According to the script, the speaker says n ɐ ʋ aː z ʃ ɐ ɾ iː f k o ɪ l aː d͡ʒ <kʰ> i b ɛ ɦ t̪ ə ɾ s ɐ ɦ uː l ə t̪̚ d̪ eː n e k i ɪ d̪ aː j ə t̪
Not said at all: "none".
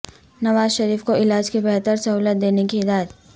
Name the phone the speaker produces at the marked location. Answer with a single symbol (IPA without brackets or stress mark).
k